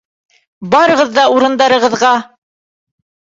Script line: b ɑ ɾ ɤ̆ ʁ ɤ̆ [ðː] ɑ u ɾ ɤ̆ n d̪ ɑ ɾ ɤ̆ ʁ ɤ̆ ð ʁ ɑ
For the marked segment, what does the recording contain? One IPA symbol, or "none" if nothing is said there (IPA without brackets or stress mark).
ðː